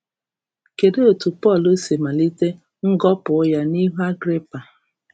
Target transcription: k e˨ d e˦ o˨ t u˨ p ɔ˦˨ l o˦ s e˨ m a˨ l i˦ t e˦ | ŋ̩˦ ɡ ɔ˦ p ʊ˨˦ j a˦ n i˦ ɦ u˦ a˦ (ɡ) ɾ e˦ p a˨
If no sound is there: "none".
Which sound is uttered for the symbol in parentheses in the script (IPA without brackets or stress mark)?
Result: ɡ